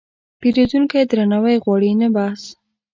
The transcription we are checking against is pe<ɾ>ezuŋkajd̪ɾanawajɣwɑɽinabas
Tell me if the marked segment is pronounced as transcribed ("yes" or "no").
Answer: yes